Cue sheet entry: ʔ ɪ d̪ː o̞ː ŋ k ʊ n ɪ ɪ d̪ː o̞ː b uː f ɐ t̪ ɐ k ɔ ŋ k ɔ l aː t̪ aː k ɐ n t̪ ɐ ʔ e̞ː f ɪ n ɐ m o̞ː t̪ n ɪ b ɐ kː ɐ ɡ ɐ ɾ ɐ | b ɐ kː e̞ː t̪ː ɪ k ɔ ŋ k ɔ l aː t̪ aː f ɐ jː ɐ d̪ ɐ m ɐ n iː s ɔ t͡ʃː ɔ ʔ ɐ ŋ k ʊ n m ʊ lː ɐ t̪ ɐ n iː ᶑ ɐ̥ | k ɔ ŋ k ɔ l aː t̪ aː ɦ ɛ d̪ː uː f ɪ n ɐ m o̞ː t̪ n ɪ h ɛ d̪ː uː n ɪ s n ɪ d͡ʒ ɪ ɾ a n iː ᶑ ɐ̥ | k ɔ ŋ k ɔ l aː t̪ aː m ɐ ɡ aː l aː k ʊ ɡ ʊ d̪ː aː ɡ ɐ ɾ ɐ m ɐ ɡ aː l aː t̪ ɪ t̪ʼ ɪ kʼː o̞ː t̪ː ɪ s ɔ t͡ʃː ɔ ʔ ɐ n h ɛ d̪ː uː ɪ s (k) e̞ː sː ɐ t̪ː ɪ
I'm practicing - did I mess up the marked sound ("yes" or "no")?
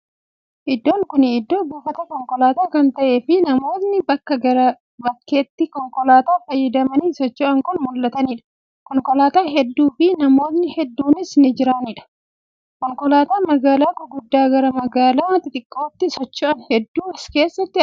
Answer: no